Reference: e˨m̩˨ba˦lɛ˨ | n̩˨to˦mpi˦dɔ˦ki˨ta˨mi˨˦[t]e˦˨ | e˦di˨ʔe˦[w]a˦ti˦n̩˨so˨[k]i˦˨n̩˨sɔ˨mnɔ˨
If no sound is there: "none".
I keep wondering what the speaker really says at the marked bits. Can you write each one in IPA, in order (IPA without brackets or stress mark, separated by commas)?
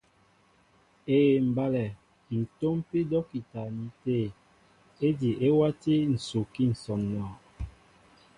t, w, k